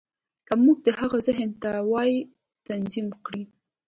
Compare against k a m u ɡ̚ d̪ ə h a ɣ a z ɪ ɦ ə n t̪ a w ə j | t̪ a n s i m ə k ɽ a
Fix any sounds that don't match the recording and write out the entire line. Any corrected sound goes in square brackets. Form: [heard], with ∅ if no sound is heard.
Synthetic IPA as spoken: k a m u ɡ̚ d̪ ə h a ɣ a z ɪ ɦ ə n t̪ a w [ɑ] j | t̪ a n [z] i m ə k ɽ [i]